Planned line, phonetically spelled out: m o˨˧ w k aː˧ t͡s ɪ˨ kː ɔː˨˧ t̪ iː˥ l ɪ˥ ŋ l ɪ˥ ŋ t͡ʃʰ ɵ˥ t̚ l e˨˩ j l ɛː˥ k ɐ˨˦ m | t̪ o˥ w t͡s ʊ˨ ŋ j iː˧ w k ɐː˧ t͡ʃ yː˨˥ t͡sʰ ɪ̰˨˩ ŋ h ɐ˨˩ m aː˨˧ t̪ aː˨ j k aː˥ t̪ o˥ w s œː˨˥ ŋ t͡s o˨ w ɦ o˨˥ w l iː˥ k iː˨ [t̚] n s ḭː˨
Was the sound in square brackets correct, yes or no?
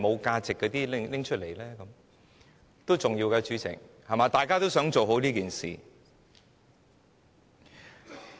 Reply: no